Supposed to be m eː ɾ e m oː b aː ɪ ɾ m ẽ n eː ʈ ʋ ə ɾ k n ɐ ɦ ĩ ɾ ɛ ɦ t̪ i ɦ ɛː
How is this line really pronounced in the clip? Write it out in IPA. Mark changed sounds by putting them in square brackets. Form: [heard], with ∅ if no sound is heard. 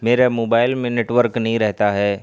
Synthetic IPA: m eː ɾ e m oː b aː ɪ [l] m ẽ n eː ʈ ʋ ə ɾ k n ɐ ɦ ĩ ɾ ɛ ɦ t̪ [a] ɦ ɛː